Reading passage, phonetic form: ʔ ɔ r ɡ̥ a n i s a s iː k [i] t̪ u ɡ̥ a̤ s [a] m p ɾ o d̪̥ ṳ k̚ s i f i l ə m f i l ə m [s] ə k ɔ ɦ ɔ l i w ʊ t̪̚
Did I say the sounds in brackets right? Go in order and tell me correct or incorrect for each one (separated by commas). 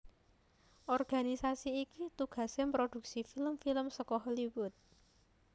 correct, incorrect, correct